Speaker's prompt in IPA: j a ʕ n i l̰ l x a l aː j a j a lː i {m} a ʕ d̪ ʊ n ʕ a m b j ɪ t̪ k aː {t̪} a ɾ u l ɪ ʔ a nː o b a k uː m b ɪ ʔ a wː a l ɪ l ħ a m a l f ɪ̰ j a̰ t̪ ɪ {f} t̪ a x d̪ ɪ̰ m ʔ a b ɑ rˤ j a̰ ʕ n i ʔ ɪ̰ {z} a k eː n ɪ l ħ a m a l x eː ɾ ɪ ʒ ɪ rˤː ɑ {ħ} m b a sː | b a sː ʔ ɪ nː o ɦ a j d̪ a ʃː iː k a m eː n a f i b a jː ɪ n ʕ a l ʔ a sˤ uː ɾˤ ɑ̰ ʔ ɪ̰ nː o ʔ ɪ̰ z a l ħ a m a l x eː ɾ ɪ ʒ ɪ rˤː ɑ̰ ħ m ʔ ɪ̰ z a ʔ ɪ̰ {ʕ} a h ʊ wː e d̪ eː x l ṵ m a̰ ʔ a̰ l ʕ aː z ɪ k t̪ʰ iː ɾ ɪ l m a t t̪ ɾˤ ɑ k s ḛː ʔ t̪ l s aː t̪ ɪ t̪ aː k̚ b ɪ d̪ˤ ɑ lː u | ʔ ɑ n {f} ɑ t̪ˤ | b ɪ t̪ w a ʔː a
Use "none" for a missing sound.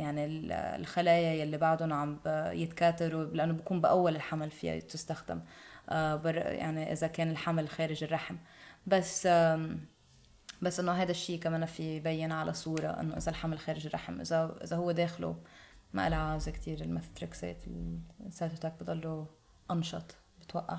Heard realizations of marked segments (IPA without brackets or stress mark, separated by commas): b, t̪, s, z, ħ, z, ʃ